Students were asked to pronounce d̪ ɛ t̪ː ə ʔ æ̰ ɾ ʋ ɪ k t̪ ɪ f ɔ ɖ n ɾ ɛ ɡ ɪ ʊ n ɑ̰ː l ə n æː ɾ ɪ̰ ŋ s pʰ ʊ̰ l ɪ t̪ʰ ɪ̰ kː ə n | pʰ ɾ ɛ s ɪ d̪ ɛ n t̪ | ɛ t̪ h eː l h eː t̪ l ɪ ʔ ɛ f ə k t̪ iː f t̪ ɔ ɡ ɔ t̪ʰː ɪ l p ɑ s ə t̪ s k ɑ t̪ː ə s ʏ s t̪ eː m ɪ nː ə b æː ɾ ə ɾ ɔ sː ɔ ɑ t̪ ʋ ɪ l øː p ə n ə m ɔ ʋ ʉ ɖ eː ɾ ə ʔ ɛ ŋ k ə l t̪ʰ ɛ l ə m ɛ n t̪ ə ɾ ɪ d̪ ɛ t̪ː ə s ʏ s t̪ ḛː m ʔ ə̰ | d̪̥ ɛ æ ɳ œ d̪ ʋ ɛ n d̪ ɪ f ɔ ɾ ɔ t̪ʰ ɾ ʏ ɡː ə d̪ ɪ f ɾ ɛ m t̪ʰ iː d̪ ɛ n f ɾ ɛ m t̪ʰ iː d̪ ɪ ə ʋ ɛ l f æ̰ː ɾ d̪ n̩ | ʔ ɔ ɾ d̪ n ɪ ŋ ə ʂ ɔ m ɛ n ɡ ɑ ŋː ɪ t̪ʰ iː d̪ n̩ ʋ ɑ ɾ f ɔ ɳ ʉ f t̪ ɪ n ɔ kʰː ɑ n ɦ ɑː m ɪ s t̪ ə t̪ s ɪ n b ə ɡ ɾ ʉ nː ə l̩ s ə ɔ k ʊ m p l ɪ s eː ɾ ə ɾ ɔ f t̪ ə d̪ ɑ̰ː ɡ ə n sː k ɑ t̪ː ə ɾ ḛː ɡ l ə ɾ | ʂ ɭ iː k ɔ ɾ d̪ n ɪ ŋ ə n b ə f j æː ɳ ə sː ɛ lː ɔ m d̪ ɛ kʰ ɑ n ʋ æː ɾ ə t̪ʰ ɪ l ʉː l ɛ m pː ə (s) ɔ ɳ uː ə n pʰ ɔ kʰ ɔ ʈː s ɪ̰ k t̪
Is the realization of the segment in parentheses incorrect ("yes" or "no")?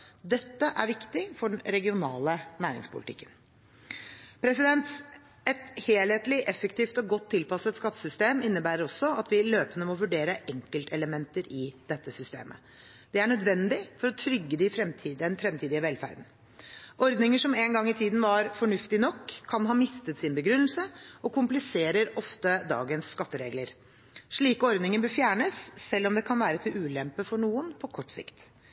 yes